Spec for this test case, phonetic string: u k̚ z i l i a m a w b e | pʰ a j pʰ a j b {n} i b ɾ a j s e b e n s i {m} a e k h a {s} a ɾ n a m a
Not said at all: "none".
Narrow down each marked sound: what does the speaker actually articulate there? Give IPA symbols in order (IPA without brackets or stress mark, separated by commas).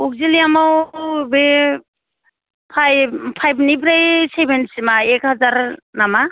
n, m, z